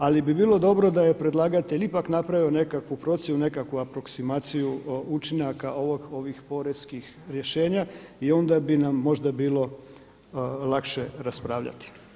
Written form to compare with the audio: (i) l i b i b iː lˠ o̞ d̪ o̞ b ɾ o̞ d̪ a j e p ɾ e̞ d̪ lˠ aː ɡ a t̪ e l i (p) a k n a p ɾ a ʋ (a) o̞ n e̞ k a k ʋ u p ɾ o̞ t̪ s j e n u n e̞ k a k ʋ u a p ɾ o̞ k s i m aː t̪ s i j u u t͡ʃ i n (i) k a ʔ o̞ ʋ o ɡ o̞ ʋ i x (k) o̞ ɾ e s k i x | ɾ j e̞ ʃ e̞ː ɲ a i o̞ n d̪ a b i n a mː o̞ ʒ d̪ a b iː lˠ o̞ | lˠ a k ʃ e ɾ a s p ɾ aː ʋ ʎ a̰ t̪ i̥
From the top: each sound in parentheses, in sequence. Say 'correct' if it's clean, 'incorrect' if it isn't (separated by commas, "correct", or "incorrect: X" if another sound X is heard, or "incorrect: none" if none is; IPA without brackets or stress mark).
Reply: incorrect: a, correct, incorrect: i, incorrect: a, incorrect: p